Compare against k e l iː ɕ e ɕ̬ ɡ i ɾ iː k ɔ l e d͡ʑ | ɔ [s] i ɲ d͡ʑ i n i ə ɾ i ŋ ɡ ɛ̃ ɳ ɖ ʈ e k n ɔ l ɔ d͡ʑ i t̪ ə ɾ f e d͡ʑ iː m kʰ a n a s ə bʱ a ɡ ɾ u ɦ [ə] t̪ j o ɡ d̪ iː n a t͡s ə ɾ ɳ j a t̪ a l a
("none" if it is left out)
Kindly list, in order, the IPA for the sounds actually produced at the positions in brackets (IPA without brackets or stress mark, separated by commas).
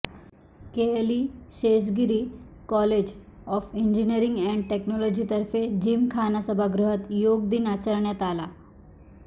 f, ə